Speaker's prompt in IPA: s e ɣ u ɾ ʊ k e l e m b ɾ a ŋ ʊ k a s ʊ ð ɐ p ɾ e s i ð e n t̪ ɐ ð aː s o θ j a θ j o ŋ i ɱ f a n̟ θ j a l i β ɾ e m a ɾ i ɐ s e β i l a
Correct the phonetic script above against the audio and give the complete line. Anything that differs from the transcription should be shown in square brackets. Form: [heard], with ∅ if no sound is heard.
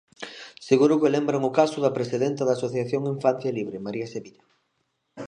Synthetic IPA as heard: s e ɣ u ɾ ʊ k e l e m b ɾ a ŋ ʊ k a s ʊ ð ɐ p ɾ e s i ð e n t̪ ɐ ð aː s o θ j a θ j o ŋ i ɱ f a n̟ θ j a l i β ɾ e m a ɾ i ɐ s e β i [ʎ] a